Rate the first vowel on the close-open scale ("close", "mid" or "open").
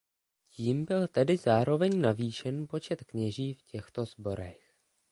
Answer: close